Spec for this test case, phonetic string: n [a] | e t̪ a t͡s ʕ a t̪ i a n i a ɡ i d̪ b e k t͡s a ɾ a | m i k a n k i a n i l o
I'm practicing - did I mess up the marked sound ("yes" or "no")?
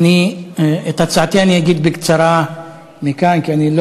yes